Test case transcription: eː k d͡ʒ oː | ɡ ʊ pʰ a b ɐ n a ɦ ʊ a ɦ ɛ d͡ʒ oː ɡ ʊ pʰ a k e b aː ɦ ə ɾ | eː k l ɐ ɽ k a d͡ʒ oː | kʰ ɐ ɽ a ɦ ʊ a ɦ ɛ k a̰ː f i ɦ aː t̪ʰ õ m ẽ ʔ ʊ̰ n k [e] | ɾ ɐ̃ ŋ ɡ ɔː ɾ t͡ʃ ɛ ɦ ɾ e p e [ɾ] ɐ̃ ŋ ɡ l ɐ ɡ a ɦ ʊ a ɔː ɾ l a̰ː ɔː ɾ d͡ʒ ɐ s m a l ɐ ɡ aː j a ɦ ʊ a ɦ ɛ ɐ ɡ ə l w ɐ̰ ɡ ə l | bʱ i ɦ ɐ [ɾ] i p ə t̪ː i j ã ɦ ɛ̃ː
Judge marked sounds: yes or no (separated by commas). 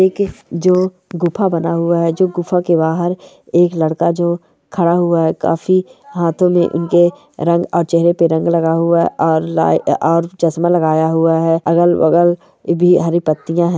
yes, yes, yes